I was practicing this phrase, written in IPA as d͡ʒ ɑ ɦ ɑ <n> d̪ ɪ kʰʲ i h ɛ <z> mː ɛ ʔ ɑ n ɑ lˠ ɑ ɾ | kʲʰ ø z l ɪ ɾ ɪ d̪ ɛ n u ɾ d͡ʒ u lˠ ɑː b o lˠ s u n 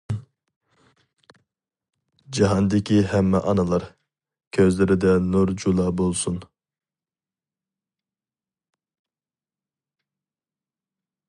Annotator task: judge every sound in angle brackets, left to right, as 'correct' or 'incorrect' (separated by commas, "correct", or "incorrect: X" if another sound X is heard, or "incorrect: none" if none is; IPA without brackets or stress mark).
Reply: correct, incorrect: none